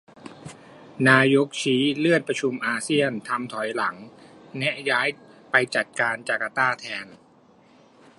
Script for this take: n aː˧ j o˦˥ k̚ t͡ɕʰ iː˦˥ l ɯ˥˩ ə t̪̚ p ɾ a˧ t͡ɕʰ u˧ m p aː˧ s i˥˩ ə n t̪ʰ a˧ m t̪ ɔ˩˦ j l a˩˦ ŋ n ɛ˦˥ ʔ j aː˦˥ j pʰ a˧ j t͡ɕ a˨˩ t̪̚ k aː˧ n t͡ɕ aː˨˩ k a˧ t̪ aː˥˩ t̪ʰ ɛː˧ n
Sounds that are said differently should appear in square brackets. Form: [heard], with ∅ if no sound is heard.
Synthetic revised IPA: n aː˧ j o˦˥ k̚ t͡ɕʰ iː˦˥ l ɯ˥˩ ə t̪̚ p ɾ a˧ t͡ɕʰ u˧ m [ʔ] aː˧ s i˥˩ ə n t̪ʰ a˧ m [t̪ʰ] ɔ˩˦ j l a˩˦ ŋ n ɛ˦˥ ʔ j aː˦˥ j [p] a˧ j t͡ɕ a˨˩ t̪̚ k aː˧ n t͡ɕ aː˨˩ k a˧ t̪ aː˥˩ t̪ʰ ɛː˧ n

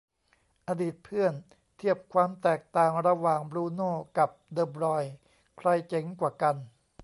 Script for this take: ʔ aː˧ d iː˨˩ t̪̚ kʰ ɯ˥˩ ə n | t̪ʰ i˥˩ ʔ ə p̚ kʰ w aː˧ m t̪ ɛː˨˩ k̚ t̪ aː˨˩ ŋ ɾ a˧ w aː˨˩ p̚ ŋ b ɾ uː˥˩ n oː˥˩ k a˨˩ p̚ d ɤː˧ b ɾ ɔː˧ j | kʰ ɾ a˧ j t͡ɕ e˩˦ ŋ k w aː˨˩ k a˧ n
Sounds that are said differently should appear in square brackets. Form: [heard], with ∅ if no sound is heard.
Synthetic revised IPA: ʔ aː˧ d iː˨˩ t̪̚ [pʰ] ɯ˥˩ ə n | t̪ʰ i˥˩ [∅] ə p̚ kʰ w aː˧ m t̪ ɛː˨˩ k̚ t̪ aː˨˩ ŋ ɾ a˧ w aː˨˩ [∅] ŋ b ɾ [uː˧] n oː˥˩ k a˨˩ p̚ d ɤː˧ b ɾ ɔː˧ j | kʰ ɾ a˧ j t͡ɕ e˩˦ ŋ k w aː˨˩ k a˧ n

